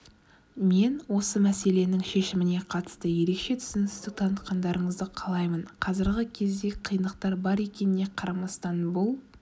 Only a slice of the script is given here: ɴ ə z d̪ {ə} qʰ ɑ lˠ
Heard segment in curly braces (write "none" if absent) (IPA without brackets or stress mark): ə